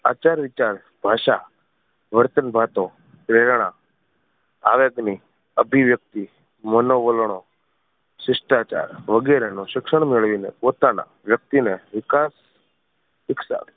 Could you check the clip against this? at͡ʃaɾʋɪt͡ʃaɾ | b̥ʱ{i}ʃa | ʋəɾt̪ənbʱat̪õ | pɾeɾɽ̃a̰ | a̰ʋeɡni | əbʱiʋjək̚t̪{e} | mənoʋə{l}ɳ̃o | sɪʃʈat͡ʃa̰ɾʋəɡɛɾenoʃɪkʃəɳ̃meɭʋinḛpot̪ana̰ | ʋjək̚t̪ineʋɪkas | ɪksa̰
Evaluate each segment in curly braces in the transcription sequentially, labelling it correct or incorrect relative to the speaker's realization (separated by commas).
incorrect, incorrect, correct